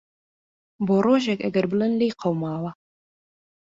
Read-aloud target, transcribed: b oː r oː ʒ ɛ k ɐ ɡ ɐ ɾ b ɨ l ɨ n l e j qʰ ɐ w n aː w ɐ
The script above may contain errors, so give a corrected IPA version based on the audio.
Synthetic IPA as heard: b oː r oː ʒ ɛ k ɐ ɡ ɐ ɾ b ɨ l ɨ n l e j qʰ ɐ w m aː w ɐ

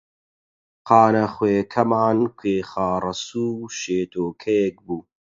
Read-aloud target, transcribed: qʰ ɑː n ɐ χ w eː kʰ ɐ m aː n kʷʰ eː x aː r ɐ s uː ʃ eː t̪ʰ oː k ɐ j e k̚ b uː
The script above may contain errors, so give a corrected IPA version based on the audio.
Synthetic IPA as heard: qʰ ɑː n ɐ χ w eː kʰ ɐ m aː n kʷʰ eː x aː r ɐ s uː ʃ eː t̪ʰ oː kʰ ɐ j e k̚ b uː

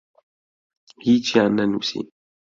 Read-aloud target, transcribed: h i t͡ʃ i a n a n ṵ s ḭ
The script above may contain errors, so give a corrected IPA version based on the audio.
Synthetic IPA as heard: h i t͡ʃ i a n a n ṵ s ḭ

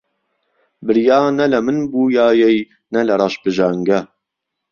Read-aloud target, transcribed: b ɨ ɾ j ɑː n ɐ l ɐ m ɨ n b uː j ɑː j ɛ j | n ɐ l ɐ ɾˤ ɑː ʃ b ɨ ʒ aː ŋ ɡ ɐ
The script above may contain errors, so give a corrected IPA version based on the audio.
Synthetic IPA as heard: b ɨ ɾ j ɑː n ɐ l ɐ m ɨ n b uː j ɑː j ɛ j | n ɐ l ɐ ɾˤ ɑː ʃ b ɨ ʒ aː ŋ ɡ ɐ

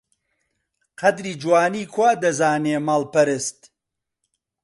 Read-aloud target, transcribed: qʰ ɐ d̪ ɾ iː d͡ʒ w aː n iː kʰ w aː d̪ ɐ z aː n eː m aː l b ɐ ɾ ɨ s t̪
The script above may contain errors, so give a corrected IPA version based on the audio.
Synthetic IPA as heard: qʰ ɐ d̪ ɾ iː d͡ʒ w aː n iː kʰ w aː d̪ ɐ z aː n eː m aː l p ɐ ɾ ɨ s t̪

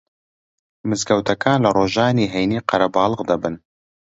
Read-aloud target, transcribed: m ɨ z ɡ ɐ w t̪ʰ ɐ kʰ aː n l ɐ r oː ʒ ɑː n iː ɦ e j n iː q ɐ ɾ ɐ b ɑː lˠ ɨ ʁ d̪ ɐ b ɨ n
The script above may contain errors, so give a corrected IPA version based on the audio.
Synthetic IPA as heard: m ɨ z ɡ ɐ w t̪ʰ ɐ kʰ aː n l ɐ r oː ʒ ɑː n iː ɦ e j n iː q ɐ ɾ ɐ b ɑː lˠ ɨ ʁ d̪ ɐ b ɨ n

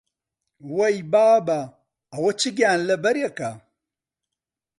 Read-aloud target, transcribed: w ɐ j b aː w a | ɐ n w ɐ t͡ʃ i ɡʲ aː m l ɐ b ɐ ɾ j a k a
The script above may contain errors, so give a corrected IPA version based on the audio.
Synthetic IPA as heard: w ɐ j b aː b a | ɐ w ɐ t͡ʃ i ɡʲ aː n l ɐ b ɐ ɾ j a k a

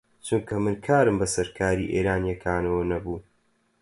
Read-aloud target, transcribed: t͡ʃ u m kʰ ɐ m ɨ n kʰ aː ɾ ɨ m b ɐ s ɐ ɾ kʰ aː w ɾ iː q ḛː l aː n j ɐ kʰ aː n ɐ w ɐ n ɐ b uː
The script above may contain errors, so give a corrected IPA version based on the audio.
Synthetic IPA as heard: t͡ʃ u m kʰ ɐ m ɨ n kʰ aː ɾ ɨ m b ɐ s ɐ ɾ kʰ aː ɾ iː ʔ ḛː ɾ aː n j ɐ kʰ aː n ɐ w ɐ n ɐ b uː

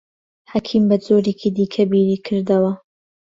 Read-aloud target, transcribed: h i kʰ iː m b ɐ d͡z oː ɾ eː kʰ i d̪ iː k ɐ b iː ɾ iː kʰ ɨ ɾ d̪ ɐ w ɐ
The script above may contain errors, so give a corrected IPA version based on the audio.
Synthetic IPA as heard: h a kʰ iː m b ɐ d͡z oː ɾ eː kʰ i d̪ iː kʰ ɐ b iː ɾ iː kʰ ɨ ɾ d̪ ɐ w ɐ

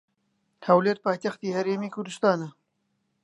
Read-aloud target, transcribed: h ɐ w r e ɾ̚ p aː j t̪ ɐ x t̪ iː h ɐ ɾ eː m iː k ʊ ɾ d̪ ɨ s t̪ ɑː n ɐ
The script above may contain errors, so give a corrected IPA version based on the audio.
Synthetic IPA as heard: h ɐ w l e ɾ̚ p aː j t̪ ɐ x t̪ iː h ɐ ɾ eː m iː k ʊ ɾ d̪ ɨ s t̪ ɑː n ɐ

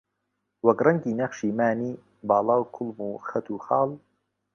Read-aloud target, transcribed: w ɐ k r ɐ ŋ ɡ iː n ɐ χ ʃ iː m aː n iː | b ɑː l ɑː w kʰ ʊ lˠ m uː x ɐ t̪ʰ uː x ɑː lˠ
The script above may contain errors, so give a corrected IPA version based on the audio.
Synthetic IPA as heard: w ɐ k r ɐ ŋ ɡ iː n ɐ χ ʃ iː m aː n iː | b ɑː l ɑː w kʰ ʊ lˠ m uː x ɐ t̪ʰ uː x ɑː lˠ

